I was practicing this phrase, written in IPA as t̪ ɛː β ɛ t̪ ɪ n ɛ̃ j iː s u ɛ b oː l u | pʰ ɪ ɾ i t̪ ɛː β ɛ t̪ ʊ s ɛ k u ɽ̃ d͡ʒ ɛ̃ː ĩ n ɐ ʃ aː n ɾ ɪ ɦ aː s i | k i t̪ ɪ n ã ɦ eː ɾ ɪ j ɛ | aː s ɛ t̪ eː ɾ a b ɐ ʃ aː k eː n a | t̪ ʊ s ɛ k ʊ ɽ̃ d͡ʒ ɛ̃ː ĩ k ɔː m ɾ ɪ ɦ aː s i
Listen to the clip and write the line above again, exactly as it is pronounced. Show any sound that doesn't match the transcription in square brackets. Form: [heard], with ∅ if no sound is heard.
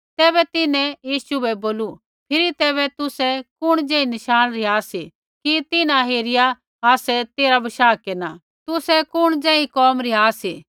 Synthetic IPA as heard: t̪ ɛː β ɛ t̪ ɪ n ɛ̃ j iː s u ɛ b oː l u | pʰ ɪ ɾ i t̪ ɛː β ɛ t̪ ʊ s ɛ k [ʊ] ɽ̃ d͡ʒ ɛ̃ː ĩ n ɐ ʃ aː n ɾ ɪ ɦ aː s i | k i t̪ ɪ n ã ɦ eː ɾ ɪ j [a] | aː s ɛ t̪ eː ɾ a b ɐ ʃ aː k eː n a | t̪ ʊ s ɛ k ʊ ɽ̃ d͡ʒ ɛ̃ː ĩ k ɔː m ɾ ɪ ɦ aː s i